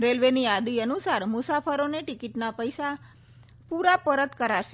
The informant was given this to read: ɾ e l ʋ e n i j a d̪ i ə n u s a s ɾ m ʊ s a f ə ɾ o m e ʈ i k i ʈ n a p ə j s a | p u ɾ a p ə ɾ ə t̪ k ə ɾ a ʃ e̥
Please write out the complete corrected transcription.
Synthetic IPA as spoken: ɾ e l ʋ e n i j a d̪ i ə n u s a ɾ m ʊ s a f ə ɾ o n e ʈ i k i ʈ n a p ə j s a | p u ɾ a p ə ɾ ə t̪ k ə ɾ a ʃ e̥